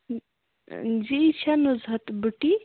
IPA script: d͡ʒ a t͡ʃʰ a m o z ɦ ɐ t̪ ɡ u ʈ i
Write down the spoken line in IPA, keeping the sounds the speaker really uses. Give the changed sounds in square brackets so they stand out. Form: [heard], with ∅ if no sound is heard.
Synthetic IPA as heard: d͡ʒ [i] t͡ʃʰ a [n] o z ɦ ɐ t̪ [b] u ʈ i

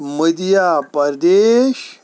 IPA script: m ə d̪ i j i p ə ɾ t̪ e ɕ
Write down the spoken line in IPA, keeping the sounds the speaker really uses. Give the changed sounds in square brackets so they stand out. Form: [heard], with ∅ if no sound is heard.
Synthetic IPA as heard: m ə d̪ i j [a] p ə ɾ [d̪] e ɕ

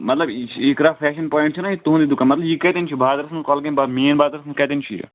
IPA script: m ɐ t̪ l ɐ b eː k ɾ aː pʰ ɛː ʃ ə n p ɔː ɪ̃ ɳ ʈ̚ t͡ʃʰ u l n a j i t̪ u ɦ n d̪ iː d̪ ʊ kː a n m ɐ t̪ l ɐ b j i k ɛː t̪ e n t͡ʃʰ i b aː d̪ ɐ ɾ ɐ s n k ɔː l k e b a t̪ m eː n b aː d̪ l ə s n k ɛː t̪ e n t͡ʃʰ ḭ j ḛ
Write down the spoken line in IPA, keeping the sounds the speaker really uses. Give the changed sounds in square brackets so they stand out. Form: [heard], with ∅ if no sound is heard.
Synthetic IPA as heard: m ɐ t̪ l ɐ b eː k ɾ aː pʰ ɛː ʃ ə n p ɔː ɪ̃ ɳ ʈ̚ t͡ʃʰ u [∅] n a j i t̪ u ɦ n d̪ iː d̪ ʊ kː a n m ɐ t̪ l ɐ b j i k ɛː t̪ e n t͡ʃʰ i b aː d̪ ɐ ɾ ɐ s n k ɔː l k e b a [∅] m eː n b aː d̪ [ɾ] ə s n k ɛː t̪ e n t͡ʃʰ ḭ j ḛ

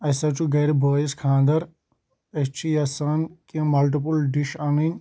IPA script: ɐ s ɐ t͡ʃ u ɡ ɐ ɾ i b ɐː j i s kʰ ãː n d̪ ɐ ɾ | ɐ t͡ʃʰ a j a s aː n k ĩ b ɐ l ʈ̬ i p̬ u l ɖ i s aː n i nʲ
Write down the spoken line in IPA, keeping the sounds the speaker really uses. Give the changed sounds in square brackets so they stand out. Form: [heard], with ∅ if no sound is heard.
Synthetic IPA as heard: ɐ s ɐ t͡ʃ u ɡ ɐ ɾ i b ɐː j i s kʰ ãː n d̪ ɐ ɾ | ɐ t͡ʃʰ [i] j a s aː n k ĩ [m] ɐ l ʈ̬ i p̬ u l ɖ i [ʃ] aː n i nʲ

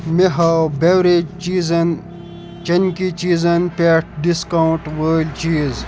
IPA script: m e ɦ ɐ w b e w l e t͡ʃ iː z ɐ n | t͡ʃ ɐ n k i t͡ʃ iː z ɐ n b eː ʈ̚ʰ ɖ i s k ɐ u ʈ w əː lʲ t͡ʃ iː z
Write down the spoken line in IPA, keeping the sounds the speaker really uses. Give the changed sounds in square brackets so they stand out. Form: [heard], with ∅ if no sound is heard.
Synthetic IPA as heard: m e ɦ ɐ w b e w [ɾ] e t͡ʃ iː z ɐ n | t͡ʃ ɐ n k i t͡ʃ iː z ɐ n [p] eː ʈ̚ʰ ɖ i s k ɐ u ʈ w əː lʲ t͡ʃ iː z

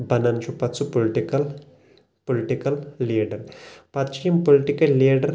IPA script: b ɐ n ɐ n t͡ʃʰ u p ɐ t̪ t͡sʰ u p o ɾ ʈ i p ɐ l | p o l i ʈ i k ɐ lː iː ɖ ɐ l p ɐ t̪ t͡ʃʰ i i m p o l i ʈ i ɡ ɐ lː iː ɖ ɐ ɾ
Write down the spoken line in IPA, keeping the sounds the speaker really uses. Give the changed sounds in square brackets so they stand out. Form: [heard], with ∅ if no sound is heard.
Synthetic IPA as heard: b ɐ n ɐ n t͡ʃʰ u p ɐ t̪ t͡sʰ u p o [l] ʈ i [k] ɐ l | p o l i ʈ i k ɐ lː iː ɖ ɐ [ɾ] p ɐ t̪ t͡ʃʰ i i m p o l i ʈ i [k] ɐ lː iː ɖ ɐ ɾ

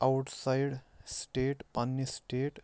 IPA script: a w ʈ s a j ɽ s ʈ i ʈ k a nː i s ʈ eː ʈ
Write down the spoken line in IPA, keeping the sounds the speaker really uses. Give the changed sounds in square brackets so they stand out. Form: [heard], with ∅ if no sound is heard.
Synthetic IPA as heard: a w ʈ s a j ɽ s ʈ [e] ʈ [p] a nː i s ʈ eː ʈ

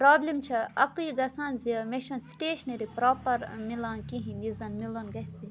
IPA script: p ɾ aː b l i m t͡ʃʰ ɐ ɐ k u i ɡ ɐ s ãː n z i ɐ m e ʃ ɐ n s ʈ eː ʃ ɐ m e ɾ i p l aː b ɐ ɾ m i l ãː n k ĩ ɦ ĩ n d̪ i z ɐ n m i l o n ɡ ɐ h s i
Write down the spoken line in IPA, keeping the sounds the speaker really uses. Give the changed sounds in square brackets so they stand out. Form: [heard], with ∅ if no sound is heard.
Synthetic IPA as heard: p ɾ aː b l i m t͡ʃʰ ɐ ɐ k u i ɡ ɐ s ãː n z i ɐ m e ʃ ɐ n s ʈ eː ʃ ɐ [n] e ɾ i p [ɾ] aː [p] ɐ ɾ m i l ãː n k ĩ ɦ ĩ n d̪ i z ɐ n m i l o n ɡ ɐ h s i

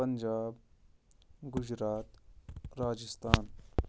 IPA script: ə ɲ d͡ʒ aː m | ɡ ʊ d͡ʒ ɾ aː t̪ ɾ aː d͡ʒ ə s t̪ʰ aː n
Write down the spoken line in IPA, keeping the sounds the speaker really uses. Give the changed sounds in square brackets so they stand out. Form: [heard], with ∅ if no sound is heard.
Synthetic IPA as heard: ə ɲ d͡ʒ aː [b] | ɡ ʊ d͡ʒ ɾ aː t̪ ɾ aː d͡ʒ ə s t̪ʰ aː n

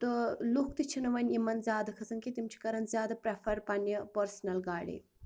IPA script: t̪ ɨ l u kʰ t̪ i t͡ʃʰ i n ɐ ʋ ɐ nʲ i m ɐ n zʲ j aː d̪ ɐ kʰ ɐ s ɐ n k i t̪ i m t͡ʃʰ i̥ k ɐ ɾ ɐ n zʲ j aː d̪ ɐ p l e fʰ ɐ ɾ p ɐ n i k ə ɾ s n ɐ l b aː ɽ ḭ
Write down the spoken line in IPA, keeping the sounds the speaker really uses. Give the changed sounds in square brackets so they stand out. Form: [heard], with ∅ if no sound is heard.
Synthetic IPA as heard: t̪ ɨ l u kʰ t̪ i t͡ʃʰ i n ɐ ʋ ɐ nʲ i m ɐ n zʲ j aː d̪ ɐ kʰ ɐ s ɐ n k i t̪ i m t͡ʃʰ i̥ k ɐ ɾ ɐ n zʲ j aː d̪ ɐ p [ɾ] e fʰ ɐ ɾ p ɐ n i [p] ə ɾ s n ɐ l [ɡ] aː ɽ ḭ

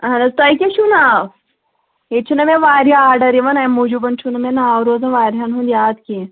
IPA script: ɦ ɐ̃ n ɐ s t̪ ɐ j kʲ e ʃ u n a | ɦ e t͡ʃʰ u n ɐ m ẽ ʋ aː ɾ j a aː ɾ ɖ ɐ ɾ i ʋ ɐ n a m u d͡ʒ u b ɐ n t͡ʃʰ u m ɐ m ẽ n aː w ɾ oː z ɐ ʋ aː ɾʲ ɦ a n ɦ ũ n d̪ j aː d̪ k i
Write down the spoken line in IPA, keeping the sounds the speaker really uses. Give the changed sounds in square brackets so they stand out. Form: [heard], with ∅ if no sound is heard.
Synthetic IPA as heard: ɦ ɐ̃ n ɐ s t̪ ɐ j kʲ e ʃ u n a | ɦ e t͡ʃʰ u n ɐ m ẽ ʋ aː ɾ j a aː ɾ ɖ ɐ ɾ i ʋ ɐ n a m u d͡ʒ u b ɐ n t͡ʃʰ u [n] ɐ m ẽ n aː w ɾ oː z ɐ ʋ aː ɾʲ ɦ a n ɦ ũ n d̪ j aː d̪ k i

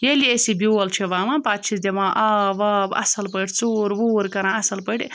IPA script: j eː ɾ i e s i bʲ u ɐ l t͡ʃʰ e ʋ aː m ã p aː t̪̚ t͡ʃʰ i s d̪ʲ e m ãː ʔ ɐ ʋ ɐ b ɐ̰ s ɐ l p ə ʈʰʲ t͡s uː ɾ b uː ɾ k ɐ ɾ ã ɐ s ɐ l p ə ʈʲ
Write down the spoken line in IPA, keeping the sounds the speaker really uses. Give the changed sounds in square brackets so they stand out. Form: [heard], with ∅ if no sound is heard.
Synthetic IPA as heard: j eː [l] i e s i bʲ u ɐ l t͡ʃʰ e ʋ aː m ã p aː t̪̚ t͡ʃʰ i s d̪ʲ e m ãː ʔ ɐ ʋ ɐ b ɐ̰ s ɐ l p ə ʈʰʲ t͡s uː ɾ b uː ɾ k ɐ ɾ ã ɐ s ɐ l p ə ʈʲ

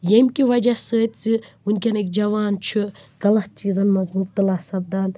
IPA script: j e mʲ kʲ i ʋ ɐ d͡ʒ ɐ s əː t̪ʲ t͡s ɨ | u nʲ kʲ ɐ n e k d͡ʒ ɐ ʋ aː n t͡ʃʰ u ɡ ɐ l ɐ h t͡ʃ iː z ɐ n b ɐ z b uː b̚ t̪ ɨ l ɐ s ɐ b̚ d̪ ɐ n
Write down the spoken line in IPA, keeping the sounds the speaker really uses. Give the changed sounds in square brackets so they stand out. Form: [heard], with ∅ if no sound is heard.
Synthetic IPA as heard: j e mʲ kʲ i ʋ ɐ d͡ʒ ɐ s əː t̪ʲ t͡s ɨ | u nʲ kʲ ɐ n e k d͡ʒ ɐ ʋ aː n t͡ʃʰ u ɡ ɐ l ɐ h t͡ʃ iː z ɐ n [m] ɐ z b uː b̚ t̪ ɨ l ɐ s ɐ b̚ d̪ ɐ n

